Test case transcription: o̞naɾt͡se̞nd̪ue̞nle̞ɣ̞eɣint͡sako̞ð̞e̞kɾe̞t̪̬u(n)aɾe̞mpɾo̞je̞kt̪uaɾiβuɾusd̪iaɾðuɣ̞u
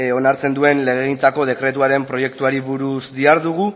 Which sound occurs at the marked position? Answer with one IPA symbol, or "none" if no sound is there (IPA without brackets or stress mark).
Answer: none